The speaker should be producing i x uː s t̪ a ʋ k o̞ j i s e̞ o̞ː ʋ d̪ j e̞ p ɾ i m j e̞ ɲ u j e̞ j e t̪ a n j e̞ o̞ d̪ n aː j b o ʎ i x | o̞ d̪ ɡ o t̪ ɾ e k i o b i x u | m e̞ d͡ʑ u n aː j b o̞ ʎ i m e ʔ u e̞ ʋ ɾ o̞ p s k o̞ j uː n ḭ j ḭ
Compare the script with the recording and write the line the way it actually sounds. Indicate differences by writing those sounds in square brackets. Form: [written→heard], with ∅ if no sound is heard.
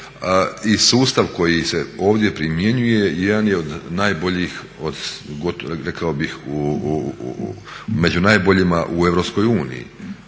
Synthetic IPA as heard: i [x→s] uː s t̪ a ʋ k o̞ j i s e̞ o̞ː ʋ d̪ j e̞ p ɾ i m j e̞ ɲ u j e̞ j e [t̪→d̪] a n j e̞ o̞ d̪ n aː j b o ʎ i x | o̞ d̪ ɡ o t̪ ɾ e k [i→a] o b i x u | m e̞ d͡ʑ u n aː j b o̞ ʎ i m [e→a] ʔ u e̞ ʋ ɾ o̞ p s k o̞ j uː n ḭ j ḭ